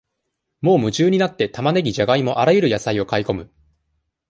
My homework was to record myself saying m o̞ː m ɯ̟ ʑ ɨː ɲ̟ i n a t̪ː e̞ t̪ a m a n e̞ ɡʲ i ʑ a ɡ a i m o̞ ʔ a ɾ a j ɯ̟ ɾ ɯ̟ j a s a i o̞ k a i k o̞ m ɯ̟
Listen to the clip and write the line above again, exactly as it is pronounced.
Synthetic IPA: m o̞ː m ɯ̟ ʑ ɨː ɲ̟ i n a t̪ː e̞ t̪ a m a n e̞ ɡʲ i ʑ a ɡ a i m o̞ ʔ a ɾ a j ɯ̟ ɾ ɯ̟ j a s a i o̞ k a i k o̞ m ɯ̟

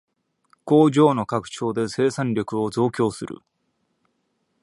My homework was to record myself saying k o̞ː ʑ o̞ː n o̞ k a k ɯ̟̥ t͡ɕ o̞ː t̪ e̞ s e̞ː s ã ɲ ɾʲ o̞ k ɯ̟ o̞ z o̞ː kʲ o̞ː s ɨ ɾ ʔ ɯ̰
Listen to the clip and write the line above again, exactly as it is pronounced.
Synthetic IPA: k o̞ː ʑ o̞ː n o̞ k a k ɯ̟̥ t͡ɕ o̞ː d̪ e̞ s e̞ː s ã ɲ ɾʲ o̞ k ɯ̟ o̞ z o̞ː kʲ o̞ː s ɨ ɾ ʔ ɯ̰

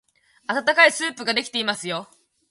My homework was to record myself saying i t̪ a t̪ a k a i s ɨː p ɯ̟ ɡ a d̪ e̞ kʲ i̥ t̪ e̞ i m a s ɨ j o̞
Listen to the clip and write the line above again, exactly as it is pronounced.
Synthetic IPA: a t̪ a t̪ a k a i s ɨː p ɯ̟ ɡ a d̪ e̞ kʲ i̥ t̪ e̞ i m a s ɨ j o̞

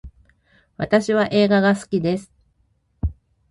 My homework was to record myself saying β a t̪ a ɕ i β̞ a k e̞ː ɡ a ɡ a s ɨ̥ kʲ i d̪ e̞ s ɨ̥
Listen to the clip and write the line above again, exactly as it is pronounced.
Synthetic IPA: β a t̪ a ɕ i β̞ a ʔ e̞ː ɡ a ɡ a s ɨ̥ kʲ i d̪ e̞ s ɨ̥

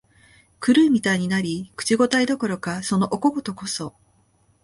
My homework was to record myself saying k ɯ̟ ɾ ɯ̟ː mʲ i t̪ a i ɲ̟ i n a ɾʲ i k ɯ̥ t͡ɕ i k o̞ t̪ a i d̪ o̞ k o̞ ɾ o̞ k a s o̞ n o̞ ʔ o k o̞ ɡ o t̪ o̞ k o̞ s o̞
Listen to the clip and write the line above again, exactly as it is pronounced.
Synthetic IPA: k ɯ̟ ɾ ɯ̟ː mʲ i t̪ a i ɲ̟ i n a ɾʲ i k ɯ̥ t͡ɕ i ɡ o̞ t̪ a i d̪ o̞ k o̞ ɾ o̞ k a s o̞ n o̞ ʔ o k o̞ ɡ o t̪ o̞ k o̞ s o̞

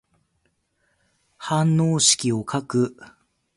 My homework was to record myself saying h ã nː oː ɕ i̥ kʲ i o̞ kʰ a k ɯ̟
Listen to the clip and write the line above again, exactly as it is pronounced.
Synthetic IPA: h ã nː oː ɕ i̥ kʲ i o̞ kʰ a k ɯ̟

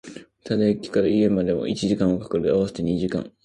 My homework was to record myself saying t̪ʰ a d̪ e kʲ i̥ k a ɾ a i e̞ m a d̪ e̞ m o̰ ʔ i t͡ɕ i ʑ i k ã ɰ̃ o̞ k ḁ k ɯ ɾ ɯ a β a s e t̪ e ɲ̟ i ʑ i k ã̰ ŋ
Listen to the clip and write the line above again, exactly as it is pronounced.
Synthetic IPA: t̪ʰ a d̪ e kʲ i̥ k a ɾ a i e̞ m a d̪ e̞ m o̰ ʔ i t͡ɕ i ʑ i k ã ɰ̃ o̞ k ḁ k ɯ ɾ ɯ a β a s e t̪ e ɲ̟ i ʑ i k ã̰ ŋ

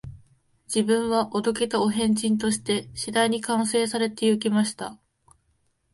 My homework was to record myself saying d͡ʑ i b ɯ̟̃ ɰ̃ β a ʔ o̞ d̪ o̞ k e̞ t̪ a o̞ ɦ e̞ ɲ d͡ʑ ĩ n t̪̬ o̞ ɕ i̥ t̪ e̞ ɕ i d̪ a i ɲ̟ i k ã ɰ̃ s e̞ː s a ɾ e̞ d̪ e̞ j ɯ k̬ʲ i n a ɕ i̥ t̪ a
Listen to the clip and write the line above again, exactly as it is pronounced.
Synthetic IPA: d͡ʑ i b ɯ̟̃ ɰ̃ β a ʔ o̞ d̪ o̞ k e̞ t̪ a o̞ ɦ ẽ̞ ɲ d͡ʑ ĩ n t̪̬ o̞ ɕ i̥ t̪ e̞ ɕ i d̪ a i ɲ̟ i k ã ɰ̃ s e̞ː s a ɾ e̞ t̪ e̞ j ɯ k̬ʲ i m a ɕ i̥ t̪ a

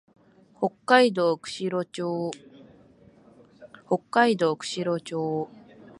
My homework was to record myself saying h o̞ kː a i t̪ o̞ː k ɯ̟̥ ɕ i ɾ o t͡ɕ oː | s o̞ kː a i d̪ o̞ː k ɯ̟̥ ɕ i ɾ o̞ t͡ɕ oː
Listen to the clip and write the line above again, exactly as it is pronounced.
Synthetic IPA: h o̞ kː a i d̪ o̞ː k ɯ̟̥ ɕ i ɾ o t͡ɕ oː | h o̞ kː a i d̪ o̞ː k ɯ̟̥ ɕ i ɾ o̞ t͡ɕ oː

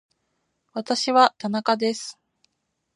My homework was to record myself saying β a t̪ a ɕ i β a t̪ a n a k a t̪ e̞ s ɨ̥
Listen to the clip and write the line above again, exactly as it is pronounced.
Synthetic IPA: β a t̪ a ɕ i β a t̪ a n a k a d̪ e̞ s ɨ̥

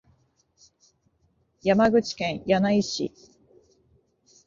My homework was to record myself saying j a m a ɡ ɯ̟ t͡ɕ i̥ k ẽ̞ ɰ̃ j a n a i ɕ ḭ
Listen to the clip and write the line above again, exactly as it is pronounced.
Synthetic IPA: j a m a ɡ ɯ̟ t͡ɕ i̥ k ẽ̞ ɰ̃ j a n a i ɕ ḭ

